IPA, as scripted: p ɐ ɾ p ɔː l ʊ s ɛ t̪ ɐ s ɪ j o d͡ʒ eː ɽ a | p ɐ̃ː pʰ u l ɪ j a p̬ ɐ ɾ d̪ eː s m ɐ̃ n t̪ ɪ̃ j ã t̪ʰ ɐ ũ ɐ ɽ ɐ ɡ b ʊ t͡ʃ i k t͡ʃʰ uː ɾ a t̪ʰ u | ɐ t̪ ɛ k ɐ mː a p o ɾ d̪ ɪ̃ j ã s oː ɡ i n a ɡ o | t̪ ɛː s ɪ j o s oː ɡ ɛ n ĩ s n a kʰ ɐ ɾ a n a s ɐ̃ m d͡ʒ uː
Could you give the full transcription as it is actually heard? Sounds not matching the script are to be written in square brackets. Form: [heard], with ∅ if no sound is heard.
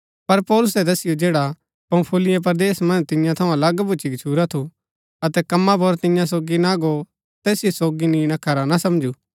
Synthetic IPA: p ɐ ɾ p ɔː l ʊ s ɛ [d̪] ɐ s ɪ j o d͡ʒ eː ɽ a | p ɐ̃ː pʰ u l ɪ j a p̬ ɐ ɾ d̪ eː s m ɐ̃ n t̪ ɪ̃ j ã t̪ʰ ɐ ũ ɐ [l] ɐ ɡ b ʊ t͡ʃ i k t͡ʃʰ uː ɾ a t̪ʰ u | ɐ t̪ ɛ k ɐ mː a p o ɾ [t̪] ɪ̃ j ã s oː ɡ i n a ɡ o | t̪ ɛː s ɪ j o s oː ɡ [i] n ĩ [∅] n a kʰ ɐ ɾ a n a s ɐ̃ m d͡ʒ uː